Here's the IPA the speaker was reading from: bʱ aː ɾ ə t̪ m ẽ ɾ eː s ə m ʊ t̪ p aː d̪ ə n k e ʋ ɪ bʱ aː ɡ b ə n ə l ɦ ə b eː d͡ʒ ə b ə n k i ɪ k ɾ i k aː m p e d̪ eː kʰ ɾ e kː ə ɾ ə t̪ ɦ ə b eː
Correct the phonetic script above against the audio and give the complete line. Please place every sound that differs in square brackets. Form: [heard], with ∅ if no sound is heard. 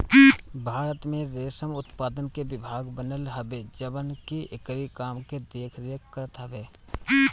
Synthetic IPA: bʱ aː ɾ ə t̪ m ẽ ɾ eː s ə m ʊ t̪ p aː d̪ ə n k e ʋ ɪ bʱ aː ɡ b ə n ə l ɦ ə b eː d͡ʒ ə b ə n k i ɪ k ɾ i k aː m [k] e d̪ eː kʰ ɾ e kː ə ɾ ə t̪ ɦ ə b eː

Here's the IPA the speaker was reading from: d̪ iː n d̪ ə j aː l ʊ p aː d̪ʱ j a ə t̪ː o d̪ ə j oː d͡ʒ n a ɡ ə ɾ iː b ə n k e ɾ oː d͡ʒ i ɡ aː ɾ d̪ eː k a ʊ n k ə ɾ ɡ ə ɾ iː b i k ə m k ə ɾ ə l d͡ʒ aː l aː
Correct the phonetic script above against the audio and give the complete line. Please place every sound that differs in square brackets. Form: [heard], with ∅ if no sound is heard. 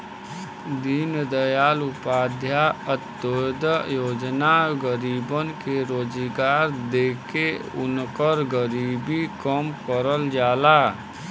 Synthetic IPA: d̪ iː n d̪ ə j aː l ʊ p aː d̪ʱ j a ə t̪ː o d̪ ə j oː d͡ʒ n a ɡ ə ɾ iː b ə n k e ɾ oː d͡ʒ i ɡ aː ɾ d̪ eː k [e] ʊ n k ə ɾ ɡ ə ɾ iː b i k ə m k ə ɾ ə l d͡ʒ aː l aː

